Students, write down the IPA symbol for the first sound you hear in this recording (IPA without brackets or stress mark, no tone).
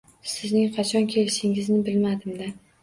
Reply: s